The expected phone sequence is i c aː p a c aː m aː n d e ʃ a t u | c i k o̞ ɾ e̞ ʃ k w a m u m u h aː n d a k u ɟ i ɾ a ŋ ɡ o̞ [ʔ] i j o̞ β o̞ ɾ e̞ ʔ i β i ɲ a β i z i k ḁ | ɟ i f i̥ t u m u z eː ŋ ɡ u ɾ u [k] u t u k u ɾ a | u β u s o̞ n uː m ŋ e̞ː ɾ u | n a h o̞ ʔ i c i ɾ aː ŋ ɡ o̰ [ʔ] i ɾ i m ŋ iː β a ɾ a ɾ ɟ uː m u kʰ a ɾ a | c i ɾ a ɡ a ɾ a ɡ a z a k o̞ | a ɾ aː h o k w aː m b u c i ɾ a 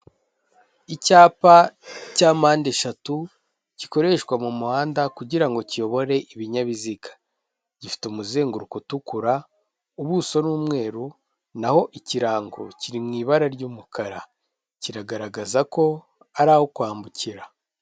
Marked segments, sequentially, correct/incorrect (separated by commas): incorrect, correct, incorrect